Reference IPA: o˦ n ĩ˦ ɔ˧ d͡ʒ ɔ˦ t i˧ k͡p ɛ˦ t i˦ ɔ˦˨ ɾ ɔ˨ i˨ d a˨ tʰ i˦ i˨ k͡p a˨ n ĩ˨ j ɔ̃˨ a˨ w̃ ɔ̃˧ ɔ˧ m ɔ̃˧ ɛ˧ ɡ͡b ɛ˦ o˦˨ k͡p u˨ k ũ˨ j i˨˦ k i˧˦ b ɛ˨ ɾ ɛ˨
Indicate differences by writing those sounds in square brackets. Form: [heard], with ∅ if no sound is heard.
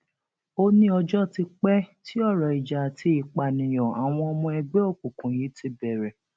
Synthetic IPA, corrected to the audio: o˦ n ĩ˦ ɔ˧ d͡ʒ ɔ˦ t i˧ k͡p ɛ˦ t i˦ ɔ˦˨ ɾ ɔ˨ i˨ [d͡ʒ] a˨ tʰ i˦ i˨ k͡p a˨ n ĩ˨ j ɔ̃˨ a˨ w̃ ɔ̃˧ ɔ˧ m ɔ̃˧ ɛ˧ ɡ͡b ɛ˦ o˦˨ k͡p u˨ k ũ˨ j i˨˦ [t] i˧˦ b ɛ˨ ɾ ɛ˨